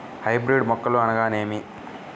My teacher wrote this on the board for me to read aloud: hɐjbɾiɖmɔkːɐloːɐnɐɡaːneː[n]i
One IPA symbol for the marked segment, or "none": m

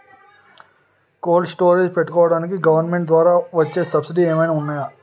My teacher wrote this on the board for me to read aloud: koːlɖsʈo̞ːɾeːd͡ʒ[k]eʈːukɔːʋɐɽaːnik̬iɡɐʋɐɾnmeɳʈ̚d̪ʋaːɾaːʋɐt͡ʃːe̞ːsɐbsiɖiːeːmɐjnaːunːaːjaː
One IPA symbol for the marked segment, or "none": p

